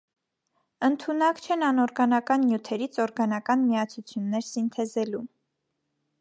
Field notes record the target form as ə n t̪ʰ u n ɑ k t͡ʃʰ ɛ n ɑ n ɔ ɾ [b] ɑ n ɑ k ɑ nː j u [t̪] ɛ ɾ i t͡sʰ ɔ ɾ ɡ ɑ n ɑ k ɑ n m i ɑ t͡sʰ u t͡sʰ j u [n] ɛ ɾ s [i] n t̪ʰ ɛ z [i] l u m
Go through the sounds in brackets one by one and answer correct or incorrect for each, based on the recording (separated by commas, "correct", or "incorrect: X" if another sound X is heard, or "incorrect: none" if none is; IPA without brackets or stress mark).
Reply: incorrect: ɡ, incorrect: t̪ʰ, incorrect: nː, correct, incorrect: ɛ